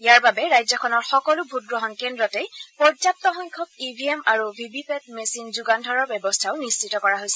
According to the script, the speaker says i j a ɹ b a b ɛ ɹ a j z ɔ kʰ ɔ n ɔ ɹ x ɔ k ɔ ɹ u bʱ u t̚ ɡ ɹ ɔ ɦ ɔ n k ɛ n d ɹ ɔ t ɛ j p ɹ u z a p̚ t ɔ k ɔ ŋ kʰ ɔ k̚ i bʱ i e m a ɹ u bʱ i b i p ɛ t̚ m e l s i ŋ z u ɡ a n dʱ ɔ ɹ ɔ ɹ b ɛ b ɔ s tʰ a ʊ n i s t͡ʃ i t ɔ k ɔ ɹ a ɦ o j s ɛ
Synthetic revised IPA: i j a ɹ b a b ɛ ɹ a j z ɔ kʰ ɔ n ɔ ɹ x ɔ k ɔ l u bʱ u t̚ ɡ ɹ ɔ ɦ ɔ n k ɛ n d ɹ ɔ t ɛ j p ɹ ɔ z a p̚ t ɔ x ɔ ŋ kʰ ɔ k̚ i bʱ i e m a ɹ u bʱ i b i p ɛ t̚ m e s i n z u ɡ a n dʱ ɔ ɹ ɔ ɹ b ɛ b ɔ s tʰ a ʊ n i s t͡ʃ i t ɔ k ɔ ɹ a ɦ o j s ɛ